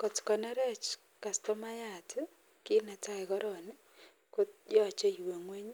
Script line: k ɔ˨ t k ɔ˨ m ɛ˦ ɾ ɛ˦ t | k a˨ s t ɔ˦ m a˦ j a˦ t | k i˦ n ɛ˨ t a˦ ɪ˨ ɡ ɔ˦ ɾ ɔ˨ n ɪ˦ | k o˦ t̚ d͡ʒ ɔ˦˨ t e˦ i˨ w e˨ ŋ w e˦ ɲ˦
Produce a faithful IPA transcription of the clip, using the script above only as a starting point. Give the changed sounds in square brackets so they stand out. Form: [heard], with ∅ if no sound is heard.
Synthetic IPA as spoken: k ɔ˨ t k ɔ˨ [n] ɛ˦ ɾ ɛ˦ [t͡ʃ] | k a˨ s t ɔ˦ m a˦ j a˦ t | k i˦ n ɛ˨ t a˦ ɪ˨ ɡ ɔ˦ ɾ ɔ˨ n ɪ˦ | k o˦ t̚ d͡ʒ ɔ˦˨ [t͡ʃ] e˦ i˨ w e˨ ŋ w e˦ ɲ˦